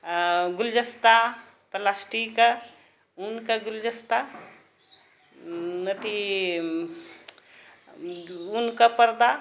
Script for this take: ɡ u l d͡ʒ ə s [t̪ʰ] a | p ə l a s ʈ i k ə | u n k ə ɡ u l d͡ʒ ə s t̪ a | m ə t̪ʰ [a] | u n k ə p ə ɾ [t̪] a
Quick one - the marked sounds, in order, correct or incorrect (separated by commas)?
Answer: incorrect, incorrect, incorrect